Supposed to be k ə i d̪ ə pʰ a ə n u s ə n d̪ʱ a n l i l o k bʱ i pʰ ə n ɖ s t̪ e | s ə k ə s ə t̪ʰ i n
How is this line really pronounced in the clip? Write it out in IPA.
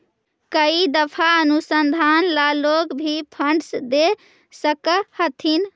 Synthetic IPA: k ə i d̪ ə pʰ a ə n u s ə n d̪ʱ a n l a l o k bʱ i pʰ ə ɳ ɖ s d̪ e | s ə k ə h ə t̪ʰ i n